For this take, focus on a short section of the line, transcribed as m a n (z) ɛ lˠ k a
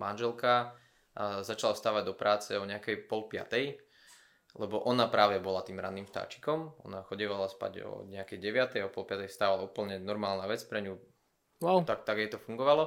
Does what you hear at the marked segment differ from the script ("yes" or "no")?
yes